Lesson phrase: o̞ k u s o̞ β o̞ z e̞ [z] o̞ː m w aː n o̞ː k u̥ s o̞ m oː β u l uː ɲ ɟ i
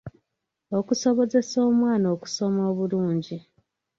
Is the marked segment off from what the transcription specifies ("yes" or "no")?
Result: yes